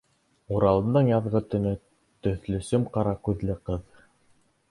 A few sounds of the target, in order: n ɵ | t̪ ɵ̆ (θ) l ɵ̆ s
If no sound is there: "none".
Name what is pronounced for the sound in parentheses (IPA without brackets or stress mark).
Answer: θ